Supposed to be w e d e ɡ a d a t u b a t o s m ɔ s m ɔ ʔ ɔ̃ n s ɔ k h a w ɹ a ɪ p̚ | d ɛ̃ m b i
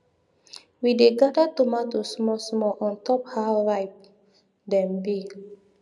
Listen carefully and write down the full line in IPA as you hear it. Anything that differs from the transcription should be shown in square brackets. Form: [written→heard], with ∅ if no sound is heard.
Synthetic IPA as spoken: w [e→i] d e ɡ a d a t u [b→m] a t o s m ɔ s m ɔ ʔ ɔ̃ n [s→t] ɔ [k→p] h a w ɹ a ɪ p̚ | d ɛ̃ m b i